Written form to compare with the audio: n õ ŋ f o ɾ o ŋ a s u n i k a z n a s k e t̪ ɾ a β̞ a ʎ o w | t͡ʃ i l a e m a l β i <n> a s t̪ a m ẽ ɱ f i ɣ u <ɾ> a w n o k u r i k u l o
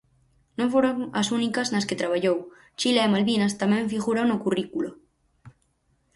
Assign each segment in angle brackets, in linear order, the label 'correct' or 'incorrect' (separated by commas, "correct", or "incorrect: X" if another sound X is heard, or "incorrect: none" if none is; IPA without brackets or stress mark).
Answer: correct, correct